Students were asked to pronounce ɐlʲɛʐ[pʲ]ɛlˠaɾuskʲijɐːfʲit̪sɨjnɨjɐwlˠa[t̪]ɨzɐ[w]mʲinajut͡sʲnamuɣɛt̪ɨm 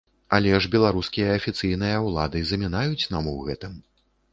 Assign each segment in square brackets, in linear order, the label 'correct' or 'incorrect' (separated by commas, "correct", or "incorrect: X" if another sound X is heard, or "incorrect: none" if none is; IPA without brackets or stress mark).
incorrect: bʲ, incorrect: d̪, incorrect: none